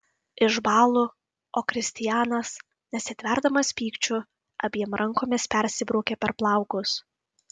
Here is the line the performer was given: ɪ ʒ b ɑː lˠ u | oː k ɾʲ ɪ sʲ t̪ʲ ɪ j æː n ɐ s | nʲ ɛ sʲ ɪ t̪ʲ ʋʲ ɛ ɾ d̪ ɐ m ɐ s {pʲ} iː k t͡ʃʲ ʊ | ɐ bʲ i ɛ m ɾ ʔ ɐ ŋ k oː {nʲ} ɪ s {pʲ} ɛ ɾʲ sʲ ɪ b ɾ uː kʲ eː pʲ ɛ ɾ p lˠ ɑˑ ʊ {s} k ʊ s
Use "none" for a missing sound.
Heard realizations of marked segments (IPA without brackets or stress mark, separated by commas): pʲ, mʲ, pʲ, none